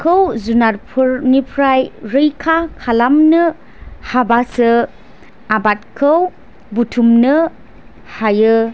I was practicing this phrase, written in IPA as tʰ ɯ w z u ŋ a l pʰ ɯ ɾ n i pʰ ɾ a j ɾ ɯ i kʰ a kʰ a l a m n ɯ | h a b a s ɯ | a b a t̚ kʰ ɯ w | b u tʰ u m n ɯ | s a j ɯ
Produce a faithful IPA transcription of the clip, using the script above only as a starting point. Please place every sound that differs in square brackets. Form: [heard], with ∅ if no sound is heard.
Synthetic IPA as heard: [kʰ] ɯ w z u [n] a [ɾ] pʰ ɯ ɾ n i pʰ ɾ a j ɾ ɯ [j] kʰ a kʰ a l a m n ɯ | h a b a s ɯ | a b a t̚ kʰ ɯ w | b u tʰ u m n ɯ | [h] a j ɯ